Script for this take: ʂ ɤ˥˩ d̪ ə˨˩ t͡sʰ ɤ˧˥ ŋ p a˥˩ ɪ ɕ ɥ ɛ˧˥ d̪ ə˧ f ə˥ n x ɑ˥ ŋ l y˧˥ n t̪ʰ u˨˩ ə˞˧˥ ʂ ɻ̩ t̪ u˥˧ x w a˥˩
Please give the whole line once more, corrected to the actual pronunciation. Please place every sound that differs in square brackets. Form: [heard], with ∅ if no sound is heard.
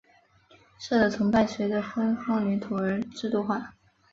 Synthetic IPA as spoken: ʂ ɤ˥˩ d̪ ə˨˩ t͡sʰ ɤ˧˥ ŋ p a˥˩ ɪ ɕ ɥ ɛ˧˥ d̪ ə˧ f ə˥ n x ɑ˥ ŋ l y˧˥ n t̪ʰ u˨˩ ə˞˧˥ [ʈ͡ʂ] ɻ̩ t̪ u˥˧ x w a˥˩